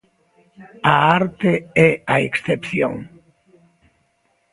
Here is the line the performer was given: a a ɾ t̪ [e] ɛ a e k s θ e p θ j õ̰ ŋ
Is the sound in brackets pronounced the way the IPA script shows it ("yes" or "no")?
yes